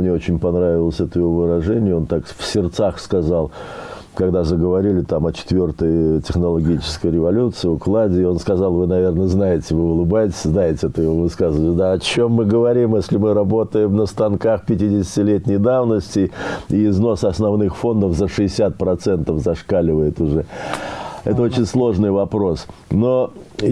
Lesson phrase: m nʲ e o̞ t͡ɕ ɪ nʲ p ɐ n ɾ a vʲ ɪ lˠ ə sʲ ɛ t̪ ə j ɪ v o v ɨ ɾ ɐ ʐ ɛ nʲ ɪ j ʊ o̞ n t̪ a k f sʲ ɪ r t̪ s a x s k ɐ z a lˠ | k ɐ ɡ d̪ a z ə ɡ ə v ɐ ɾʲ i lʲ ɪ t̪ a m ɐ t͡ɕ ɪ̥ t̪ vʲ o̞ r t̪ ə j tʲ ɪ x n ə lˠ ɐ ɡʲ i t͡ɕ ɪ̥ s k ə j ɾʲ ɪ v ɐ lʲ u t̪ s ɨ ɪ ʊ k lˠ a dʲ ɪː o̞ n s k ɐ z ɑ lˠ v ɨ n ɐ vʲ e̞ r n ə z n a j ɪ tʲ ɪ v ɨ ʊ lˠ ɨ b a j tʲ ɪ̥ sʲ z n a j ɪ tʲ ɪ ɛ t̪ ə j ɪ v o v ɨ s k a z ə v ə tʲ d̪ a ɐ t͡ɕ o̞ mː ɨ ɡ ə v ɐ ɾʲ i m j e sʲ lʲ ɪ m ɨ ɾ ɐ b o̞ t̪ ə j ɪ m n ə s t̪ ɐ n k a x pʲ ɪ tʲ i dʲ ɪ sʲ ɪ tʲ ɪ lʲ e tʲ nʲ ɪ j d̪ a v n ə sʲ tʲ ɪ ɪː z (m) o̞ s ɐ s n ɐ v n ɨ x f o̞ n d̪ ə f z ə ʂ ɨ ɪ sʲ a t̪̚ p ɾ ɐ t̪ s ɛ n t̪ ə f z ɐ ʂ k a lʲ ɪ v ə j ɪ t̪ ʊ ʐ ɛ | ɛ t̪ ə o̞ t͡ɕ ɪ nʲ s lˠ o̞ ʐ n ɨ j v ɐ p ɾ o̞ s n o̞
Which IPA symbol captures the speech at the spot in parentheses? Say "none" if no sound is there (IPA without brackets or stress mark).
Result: n